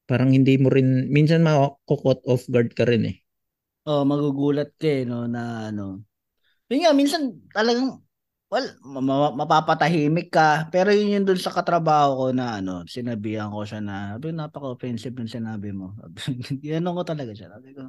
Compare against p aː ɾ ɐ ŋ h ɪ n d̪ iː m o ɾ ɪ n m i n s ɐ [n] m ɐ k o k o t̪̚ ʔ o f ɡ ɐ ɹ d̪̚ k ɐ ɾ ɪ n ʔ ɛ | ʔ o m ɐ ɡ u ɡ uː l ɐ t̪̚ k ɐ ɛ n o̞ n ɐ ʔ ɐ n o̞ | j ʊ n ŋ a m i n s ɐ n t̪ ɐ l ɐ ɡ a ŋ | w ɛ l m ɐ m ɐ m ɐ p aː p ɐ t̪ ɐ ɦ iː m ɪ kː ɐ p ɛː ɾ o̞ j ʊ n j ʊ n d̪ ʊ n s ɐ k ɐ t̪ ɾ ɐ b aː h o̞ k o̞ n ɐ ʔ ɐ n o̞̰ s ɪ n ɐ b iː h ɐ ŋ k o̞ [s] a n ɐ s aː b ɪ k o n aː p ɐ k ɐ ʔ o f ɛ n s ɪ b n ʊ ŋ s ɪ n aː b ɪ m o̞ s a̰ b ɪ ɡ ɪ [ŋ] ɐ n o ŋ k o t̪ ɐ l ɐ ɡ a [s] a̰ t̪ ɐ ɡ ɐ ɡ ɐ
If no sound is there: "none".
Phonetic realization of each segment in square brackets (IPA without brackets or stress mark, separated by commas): n, ʃ, n, ʃ